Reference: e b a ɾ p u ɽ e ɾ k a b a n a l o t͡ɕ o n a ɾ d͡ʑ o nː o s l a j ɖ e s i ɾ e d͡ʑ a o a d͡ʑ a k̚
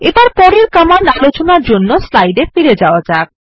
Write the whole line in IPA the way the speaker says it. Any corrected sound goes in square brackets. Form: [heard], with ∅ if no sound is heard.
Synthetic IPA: e b a ɾ p [ɔ] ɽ e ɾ k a [m] a n a l o t͡ɕ o n a ɾ d͡ʑ o nː o s l a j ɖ e [f] i ɾ e d͡ʑ a o a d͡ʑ a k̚